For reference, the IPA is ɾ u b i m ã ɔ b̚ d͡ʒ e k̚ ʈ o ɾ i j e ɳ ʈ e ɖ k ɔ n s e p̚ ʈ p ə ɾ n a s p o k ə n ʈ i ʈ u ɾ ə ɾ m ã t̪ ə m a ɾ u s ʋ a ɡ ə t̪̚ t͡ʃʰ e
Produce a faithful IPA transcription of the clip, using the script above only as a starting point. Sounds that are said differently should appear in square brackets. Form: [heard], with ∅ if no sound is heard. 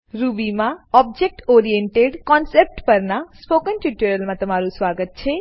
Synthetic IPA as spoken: ɾ u b i m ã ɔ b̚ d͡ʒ e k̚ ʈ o ɾ i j e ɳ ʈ e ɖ k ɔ n s e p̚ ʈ p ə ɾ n a s p o k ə n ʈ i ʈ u ɾ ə [l] m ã t̪ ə m a ɾ u s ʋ a ɡ ə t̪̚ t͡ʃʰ e